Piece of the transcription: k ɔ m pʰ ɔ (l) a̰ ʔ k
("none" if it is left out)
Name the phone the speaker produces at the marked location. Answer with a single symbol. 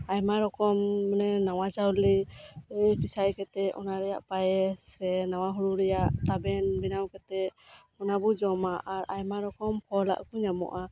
l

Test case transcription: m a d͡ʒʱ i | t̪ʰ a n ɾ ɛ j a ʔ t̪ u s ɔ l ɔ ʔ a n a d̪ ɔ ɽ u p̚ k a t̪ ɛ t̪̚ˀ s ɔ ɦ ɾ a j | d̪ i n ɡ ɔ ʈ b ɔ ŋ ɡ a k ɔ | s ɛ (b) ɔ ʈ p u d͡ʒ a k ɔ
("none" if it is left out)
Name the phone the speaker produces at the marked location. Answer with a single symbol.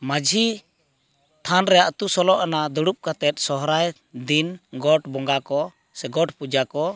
ɡ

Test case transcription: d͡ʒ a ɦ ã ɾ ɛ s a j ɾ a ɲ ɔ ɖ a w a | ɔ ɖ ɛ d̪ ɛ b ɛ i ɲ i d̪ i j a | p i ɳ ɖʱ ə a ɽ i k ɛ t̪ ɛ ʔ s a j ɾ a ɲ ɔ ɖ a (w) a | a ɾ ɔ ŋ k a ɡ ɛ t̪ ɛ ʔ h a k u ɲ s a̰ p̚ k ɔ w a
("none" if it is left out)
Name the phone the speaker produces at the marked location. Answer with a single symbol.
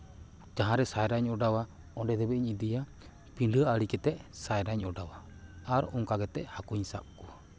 w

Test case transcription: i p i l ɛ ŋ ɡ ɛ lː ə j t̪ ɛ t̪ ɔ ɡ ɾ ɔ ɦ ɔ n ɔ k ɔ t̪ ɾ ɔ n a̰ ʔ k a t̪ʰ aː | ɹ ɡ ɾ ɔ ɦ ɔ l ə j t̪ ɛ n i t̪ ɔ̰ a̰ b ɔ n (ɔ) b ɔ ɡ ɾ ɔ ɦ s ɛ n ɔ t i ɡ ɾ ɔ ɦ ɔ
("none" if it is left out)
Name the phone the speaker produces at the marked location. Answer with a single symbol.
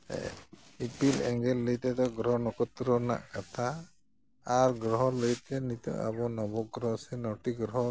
ɔ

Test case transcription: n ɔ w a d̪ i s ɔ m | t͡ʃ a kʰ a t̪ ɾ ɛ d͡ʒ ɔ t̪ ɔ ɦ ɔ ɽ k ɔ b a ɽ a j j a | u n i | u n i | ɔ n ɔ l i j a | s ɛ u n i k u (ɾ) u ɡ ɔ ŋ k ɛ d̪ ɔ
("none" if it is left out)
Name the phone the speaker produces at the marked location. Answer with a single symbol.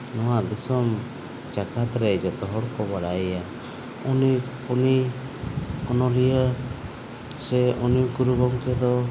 ɾ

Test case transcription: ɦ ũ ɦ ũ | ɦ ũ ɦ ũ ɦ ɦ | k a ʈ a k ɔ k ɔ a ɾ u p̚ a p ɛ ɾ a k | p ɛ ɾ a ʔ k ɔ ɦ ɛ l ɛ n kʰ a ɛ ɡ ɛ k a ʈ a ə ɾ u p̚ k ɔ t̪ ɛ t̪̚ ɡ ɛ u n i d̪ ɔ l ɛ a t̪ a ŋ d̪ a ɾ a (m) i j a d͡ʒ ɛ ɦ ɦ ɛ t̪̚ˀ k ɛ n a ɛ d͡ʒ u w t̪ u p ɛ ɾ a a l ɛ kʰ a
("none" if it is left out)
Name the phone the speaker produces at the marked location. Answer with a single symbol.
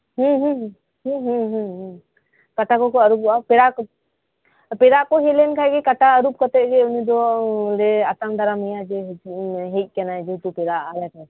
m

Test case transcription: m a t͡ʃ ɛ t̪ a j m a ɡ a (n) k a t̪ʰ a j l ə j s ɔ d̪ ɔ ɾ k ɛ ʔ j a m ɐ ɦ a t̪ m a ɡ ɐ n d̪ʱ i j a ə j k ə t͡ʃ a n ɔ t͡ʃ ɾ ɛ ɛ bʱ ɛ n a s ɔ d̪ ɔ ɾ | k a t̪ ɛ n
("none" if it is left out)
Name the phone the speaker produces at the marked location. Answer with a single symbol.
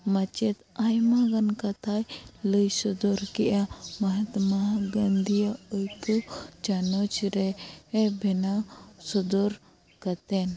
n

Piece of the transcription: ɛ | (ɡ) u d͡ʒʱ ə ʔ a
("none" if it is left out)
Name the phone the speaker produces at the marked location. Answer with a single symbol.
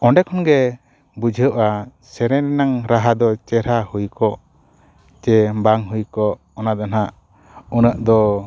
b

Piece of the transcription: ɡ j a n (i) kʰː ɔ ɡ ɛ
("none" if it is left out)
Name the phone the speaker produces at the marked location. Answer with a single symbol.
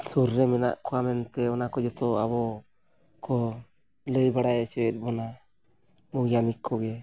i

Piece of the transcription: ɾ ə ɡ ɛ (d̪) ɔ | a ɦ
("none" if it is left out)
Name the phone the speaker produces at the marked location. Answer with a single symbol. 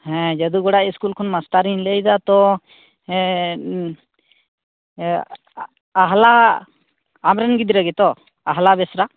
t̪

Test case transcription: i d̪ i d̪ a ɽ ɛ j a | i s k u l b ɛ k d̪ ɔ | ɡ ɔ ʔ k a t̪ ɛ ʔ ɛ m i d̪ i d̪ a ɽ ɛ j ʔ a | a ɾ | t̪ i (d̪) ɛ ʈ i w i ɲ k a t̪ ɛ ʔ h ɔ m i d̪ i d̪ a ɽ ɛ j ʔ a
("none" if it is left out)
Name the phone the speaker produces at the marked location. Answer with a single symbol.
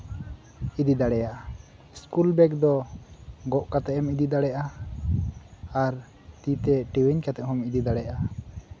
t̪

